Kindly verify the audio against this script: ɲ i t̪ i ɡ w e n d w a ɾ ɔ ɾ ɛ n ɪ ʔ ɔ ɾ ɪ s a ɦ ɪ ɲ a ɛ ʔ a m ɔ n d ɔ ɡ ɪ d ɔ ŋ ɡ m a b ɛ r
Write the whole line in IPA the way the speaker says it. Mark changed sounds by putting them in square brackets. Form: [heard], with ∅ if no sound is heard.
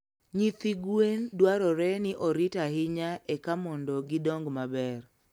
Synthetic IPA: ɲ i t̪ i ɡ w e n d w a ɾ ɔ ɾ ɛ n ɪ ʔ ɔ ɾ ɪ [t] a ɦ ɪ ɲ a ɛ [k] a m ɔ n d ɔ ɡ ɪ d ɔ ŋ ɡ m a b ɛ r